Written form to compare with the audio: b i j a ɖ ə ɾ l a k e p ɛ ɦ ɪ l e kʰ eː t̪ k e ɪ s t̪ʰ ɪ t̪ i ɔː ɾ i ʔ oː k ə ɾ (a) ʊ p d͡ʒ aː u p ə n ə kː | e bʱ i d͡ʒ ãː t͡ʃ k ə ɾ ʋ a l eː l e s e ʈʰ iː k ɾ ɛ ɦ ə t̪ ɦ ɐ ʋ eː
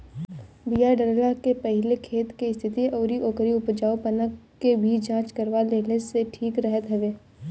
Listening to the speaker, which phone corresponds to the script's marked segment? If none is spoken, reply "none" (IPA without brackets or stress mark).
i